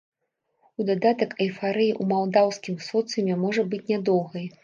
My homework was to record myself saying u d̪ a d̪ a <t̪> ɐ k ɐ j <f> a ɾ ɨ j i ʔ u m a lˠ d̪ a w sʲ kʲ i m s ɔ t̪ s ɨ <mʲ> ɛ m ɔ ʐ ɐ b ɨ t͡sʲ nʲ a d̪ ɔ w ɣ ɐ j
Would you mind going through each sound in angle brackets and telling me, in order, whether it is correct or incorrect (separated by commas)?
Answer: correct, correct, correct